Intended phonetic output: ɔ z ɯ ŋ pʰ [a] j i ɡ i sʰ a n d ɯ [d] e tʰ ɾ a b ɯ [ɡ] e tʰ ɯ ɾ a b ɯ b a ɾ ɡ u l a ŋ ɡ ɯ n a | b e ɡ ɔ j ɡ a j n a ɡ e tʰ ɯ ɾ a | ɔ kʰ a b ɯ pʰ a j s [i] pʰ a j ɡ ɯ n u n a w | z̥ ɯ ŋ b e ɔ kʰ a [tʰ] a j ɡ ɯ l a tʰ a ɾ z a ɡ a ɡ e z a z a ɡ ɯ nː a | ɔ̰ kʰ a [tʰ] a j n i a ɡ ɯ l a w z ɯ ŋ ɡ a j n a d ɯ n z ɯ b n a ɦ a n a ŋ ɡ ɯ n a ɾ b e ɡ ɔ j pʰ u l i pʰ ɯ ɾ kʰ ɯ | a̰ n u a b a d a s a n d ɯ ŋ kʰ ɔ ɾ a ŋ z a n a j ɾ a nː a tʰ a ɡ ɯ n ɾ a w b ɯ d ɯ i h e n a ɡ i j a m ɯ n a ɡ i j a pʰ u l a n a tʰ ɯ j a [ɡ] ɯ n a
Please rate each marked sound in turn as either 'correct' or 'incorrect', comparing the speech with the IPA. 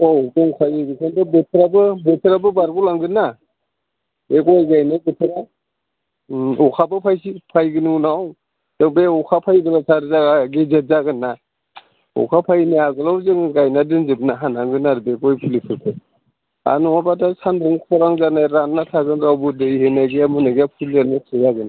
correct, incorrect, incorrect, correct, incorrect, incorrect, correct

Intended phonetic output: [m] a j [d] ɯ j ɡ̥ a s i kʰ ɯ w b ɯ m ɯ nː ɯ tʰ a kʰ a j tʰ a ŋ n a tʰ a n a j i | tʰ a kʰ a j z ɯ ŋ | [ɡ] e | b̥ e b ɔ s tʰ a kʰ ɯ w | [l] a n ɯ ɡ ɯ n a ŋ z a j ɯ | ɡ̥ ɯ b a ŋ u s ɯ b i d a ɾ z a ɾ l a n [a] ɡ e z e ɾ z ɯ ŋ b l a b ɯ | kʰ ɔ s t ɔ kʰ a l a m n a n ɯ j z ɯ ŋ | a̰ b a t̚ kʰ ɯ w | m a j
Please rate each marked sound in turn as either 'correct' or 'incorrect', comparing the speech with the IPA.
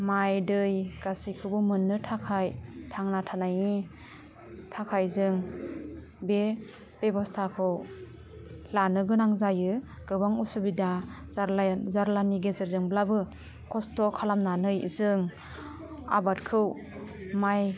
correct, correct, incorrect, correct, incorrect

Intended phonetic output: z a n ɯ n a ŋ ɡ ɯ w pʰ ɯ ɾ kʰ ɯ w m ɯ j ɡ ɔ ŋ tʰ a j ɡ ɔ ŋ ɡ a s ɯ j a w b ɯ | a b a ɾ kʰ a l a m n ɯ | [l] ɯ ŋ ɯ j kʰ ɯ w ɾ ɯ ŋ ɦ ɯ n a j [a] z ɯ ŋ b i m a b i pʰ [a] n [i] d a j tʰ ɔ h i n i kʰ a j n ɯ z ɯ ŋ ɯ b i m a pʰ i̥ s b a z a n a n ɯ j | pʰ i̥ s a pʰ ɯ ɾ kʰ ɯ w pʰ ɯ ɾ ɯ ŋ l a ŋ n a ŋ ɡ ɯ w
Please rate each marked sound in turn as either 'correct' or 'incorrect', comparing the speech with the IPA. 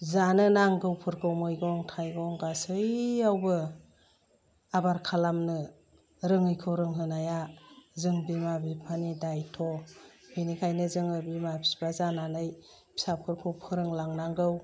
incorrect, correct, correct, correct

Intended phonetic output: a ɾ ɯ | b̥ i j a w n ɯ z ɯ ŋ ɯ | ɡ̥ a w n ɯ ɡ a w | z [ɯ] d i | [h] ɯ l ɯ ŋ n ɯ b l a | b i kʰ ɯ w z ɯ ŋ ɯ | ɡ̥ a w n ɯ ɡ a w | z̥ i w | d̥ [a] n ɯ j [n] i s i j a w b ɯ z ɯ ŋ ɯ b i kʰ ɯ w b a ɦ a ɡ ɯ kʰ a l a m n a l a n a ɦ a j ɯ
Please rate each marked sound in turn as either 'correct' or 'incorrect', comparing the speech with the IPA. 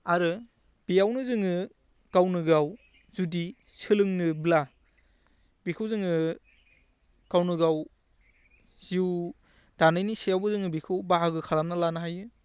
incorrect, incorrect, correct, correct

